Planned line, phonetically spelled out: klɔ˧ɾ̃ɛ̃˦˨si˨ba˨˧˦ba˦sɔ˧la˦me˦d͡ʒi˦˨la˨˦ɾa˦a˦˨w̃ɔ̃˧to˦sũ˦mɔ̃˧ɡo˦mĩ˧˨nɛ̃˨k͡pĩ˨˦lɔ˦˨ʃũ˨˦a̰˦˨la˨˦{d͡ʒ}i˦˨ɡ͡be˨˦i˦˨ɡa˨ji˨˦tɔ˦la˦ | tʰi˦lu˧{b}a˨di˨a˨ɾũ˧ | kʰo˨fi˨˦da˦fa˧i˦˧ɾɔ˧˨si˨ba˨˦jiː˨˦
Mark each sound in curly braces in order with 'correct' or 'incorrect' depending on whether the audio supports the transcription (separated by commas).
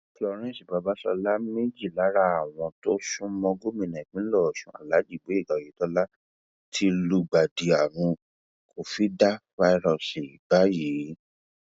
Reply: correct, incorrect